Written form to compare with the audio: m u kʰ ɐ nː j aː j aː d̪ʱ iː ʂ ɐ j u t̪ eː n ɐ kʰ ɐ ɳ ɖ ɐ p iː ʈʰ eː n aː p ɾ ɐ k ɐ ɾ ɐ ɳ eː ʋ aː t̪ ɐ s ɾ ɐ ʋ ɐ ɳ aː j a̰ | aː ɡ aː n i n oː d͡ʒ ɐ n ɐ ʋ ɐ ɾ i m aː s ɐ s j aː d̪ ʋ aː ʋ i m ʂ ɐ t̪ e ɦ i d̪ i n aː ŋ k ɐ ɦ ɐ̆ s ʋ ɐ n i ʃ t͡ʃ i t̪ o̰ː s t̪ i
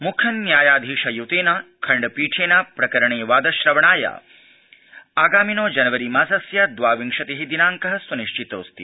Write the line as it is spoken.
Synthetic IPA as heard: m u kʰ ɐ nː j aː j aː d̪ʱ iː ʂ ɐ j u t̪ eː n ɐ kʰ ɐ ɳ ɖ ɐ p iː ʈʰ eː n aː p ɾ ɐ k ɐ ɾ ɐ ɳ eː ʋ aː d̪ ɐ ʃ ɾ ɐ ʋ ɐ ɳ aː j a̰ | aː ɡ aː m i n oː d͡ʒ ɐ n ɐ ʋ ɐ ɾ i m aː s ɐ s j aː d̪ ʋ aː ʋ i ŋ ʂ ɐ t̪ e ɦ i d̪ i n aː ŋ k ɐ ɦ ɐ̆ s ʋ ɐ n i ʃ t͡ʃ i t̪ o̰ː s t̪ i